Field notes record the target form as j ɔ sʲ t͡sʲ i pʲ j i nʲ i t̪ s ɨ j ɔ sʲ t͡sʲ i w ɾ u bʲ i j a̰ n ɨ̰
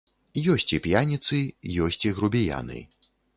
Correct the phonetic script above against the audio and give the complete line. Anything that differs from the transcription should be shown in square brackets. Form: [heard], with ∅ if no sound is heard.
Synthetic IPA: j ɔ sʲ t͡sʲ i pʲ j [a] nʲ i t̪ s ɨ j ɔ sʲ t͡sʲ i [ɣ] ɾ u bʲ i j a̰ n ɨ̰